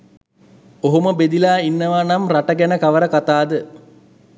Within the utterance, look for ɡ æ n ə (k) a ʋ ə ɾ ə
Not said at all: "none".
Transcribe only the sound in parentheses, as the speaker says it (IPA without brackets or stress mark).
k